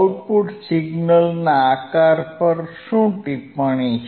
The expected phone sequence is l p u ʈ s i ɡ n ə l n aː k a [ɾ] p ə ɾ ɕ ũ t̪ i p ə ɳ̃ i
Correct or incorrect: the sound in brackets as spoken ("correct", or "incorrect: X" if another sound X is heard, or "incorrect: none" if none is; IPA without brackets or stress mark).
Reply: correct